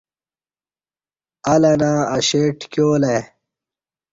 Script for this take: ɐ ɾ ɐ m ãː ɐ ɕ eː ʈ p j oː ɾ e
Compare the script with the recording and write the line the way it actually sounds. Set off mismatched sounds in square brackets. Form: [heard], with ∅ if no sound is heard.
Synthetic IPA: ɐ [l] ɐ [n] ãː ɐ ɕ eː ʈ [k] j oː [l] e